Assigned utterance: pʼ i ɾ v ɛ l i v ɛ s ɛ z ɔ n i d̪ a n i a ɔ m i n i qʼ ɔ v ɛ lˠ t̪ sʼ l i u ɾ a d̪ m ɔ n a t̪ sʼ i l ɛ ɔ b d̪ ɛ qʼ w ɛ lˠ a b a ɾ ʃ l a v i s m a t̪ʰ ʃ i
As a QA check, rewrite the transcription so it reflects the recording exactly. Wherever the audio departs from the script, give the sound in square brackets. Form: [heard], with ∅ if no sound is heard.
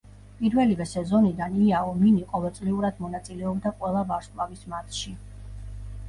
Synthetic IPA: pʼ i ɾ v ɛ l i v ɛ s ɛ z ɔ n i d̪ a n i a ɔ m i n i qʼ ɔ v ɛ lˠ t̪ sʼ l i u ɾ a d̪ m ɔ n a t̪ sʼ i l ɛ ɔ b d̪ [a] qʼ w ɛ lˠ a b a ɾ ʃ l a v i s m a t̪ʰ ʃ i